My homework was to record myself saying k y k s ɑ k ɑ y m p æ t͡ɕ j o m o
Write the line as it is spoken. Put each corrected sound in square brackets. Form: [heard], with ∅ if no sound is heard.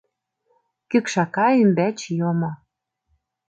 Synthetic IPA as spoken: k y k [ʃ] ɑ k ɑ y m [b] æ t͡ɕ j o m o